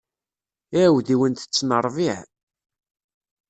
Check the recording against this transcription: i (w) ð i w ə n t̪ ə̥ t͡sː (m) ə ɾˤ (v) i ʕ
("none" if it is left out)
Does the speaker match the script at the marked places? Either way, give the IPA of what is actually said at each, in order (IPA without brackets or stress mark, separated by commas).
w, n, v